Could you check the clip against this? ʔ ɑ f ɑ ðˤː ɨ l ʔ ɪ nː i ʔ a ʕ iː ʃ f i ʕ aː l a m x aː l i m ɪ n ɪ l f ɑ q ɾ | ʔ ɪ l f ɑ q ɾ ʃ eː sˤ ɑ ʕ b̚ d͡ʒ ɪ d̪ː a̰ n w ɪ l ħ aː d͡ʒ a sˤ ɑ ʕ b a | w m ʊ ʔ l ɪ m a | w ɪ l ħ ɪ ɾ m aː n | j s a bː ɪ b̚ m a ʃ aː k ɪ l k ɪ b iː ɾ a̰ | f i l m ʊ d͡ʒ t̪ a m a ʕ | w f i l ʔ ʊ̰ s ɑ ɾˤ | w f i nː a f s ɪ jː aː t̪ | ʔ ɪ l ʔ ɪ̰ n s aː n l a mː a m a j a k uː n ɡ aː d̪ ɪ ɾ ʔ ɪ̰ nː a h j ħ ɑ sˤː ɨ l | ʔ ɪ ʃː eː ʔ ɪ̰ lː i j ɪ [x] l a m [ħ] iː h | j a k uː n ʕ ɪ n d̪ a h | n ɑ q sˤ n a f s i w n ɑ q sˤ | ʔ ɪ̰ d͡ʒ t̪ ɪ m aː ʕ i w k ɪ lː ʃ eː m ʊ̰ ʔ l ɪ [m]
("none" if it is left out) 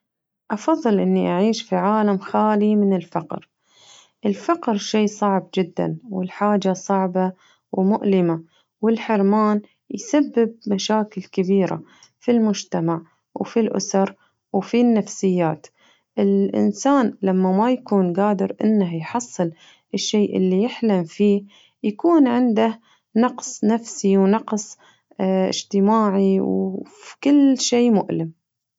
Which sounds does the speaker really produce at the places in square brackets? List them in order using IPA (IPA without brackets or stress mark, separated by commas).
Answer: ħ, f, m